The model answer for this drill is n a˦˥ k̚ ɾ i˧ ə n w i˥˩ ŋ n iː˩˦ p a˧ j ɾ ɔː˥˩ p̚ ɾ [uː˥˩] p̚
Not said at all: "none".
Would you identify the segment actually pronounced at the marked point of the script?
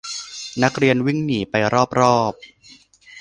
ɔː˥˩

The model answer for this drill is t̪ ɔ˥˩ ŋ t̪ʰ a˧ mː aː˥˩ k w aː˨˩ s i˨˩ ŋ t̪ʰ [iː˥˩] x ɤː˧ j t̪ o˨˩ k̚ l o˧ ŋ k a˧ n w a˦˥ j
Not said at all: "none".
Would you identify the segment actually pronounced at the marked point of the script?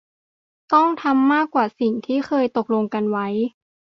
iː˥˩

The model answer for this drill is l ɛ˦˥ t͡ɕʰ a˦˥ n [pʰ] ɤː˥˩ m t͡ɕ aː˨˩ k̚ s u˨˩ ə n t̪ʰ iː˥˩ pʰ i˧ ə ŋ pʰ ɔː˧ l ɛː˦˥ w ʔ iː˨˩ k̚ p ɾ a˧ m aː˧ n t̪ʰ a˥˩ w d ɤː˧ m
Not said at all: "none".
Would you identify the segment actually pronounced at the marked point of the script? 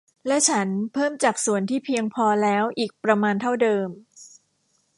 pʰ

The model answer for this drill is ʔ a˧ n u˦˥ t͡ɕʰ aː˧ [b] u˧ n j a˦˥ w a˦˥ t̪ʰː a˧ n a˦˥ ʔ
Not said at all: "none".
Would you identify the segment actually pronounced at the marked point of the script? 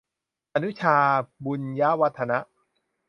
b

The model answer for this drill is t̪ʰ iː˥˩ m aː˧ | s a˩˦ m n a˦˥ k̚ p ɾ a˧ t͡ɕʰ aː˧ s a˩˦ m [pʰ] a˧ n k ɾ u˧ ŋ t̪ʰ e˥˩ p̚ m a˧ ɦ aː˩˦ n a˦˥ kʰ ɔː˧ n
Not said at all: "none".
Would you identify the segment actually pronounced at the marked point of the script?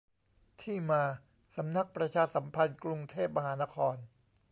pʰ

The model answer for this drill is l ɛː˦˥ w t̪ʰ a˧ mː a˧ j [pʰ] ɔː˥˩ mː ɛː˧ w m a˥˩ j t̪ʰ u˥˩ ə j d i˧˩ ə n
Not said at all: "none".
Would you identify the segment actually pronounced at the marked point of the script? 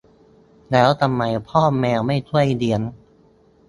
pʰ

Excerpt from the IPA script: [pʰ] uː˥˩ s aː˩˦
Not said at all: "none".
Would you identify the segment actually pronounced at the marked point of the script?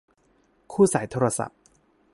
kʰ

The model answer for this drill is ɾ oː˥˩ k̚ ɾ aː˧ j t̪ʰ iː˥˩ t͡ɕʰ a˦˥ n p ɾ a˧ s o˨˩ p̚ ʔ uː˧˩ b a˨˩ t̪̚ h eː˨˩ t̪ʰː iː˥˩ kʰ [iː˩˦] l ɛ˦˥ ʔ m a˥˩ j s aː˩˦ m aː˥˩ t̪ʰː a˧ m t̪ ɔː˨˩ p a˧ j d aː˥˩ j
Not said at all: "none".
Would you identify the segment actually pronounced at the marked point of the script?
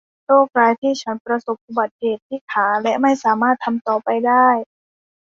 aː˩˦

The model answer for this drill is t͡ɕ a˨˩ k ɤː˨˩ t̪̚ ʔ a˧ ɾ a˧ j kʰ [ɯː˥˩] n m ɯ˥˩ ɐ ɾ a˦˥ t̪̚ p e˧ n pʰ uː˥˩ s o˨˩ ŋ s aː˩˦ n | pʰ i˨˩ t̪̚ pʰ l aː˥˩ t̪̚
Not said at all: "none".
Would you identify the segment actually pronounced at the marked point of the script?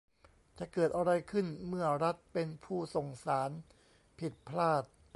ɯ˥˩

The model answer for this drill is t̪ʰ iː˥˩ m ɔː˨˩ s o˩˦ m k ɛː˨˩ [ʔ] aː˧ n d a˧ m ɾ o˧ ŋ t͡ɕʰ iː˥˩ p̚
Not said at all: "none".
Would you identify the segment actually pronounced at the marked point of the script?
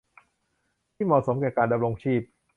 k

